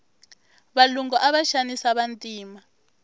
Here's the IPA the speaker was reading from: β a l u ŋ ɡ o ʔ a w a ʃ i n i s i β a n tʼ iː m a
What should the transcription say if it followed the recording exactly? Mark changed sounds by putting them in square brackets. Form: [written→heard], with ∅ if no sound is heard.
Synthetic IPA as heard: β a l u ŋ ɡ [o→ɔ] ʔ a [w→β] a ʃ [i→a] n i s [i→a] β a n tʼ iː m a